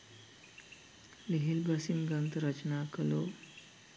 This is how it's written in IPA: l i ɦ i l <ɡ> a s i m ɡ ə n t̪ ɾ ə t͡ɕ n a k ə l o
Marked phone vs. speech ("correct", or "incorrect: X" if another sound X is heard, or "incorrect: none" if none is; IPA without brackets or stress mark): incorrect: b